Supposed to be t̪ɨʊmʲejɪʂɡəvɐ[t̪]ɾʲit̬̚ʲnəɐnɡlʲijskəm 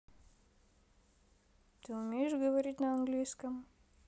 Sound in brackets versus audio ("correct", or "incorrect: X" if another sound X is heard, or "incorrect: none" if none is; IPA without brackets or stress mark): incorrect: none